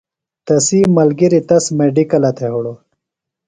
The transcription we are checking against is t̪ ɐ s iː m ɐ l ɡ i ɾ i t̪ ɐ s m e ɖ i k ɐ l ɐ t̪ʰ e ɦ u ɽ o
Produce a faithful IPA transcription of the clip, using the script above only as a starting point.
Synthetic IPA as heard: t̪ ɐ s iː m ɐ l ɡ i ɾ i t̪ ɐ s m e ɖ i k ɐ l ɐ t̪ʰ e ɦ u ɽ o